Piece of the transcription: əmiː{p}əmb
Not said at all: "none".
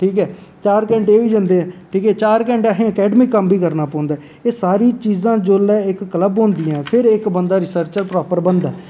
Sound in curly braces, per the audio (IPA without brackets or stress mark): k